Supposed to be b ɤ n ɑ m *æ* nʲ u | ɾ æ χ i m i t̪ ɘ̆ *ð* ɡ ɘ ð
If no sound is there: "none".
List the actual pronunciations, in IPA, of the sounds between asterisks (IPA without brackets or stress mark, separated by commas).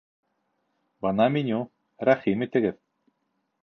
i, none